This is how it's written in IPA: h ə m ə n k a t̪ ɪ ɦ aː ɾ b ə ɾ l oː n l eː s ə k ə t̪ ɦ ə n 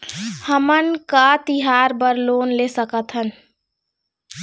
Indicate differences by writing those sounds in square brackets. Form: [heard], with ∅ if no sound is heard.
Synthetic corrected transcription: h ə m ə n k a t̪ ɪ ɦ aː ɾ b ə ɾ l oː n l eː s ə k ə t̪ ɦ ə n